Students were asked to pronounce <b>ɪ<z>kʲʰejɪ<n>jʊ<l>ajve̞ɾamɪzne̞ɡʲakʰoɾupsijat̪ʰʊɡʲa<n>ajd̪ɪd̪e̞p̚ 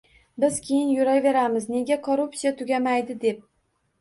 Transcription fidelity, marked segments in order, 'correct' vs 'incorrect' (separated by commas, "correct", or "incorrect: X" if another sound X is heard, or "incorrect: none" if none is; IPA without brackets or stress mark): correct, correct, correct, incorrect: ɾ, incorrect: m